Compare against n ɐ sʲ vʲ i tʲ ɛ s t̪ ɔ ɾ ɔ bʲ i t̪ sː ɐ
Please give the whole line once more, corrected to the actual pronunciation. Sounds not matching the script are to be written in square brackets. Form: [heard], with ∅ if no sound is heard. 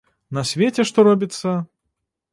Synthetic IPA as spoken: n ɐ sʲ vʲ [e] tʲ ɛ [ʂ] t̪ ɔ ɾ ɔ bʲ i t̪ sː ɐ